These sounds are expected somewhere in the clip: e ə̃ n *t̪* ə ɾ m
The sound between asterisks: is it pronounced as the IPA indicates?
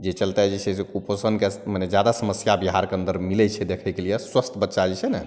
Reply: no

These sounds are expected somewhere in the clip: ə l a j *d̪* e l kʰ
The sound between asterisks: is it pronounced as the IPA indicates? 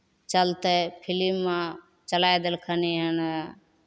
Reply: yes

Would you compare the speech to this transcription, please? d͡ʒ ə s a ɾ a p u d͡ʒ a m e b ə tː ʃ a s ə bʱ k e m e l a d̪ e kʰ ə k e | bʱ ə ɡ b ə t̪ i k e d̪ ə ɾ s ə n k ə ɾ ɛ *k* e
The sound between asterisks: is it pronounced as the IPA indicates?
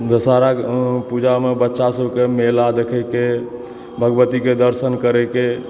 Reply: yes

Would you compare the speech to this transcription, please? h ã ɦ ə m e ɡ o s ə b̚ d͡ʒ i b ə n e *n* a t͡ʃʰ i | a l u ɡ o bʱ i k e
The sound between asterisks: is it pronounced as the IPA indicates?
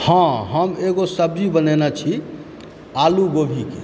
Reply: yes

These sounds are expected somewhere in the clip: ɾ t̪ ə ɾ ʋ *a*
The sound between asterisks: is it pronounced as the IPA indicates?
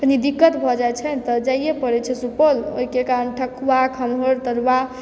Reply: yes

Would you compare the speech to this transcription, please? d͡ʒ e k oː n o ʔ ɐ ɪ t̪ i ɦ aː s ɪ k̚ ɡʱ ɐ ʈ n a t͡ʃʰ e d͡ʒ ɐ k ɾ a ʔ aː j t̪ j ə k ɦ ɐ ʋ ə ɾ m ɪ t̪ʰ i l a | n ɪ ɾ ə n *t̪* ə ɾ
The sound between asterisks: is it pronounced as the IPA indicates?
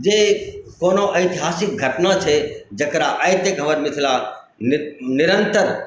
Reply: yes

